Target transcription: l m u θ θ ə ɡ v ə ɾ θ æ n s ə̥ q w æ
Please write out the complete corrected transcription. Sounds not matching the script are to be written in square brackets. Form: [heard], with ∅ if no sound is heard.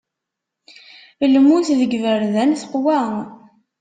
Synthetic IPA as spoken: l m u θ [ð] ə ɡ v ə ɾ [ð] æ n [θ] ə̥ q w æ